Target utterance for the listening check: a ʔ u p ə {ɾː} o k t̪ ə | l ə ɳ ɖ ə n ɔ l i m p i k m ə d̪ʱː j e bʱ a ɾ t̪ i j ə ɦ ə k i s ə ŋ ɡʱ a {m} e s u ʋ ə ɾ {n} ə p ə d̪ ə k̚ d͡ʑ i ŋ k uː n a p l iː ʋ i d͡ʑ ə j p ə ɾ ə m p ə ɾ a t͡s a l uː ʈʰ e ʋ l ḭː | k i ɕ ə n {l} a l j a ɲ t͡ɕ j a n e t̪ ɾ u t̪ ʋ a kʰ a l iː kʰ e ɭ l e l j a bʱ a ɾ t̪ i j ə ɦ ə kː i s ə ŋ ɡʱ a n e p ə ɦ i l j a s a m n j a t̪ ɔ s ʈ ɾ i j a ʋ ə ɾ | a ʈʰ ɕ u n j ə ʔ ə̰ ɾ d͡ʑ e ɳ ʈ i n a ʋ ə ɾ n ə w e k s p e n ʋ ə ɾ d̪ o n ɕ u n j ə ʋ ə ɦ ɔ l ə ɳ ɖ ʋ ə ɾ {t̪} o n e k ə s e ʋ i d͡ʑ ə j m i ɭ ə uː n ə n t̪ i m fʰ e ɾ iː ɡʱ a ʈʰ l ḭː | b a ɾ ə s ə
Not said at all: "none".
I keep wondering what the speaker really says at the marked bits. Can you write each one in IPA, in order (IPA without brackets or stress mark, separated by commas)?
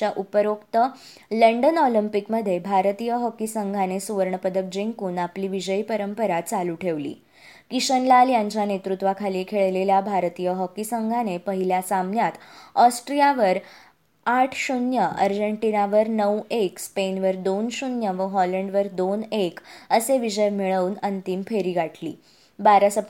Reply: ɾ, n, ɳ, l, d̪